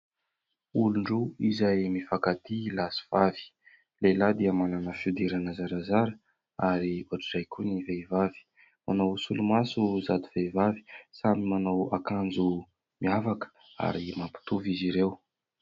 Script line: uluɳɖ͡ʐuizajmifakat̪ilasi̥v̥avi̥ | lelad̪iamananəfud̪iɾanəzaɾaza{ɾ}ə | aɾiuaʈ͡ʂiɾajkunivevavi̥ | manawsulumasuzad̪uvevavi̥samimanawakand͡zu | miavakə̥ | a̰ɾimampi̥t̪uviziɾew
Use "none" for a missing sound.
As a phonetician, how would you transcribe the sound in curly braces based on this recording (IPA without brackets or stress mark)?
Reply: ɾ